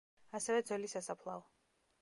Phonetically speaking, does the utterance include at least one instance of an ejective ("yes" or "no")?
no